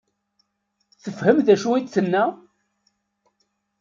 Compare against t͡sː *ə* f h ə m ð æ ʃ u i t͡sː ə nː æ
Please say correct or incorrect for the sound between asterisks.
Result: correct